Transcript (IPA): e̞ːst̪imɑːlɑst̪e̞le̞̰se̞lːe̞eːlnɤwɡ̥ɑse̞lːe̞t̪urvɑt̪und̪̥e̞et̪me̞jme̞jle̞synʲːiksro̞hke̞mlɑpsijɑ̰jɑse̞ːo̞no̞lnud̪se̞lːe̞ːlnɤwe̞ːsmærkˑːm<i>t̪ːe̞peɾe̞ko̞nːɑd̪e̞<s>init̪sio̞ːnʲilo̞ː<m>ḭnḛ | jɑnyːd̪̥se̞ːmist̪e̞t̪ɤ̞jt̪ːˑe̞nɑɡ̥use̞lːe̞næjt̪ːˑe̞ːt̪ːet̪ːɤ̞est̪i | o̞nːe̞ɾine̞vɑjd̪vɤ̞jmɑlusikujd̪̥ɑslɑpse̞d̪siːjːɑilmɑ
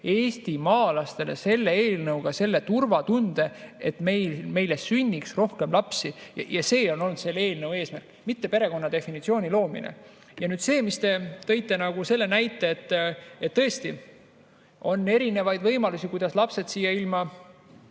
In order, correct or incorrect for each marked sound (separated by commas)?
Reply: correct, incorrect, correct